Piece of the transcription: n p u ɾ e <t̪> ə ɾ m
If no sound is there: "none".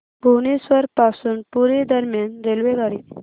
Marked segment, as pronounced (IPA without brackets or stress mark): d̪